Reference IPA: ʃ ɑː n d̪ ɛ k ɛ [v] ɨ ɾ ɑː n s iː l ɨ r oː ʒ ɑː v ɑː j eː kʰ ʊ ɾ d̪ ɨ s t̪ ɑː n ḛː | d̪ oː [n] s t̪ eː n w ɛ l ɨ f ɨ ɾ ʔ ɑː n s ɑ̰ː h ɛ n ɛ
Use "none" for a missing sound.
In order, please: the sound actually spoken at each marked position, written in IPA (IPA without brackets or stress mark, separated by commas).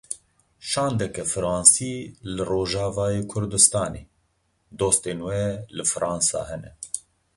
f, none